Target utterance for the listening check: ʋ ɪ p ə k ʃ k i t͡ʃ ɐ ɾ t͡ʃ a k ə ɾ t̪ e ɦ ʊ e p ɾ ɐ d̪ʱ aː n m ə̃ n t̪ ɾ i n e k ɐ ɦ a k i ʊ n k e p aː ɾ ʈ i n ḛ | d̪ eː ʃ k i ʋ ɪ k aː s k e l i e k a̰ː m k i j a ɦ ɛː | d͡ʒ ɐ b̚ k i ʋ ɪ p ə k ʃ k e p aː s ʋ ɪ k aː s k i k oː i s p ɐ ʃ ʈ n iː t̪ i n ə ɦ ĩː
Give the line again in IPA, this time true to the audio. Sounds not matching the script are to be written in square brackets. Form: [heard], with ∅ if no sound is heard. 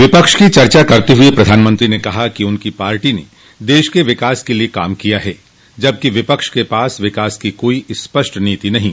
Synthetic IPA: ʋ ɪ p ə k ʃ k i t͡ʃ ɐ ɾ t͡ʃ a k [ɐ] ɾ t̪ e ɦ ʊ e p ɾ ɐ d̪ʱ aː n m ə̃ n t̪ ɾ i n e k ɐ ɦ a k i ʊ n k [i] p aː ɾ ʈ i n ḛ | d̪ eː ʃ k [e] ʋ ɪ k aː s k e l i e k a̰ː m k i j a ɦ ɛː | d͡ʒ ɐ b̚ k i ʋ ɪ p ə k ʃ k e p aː s ʋ ɪ k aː s k i k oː i s p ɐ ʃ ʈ n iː t̪ i n [ɐ] ɦ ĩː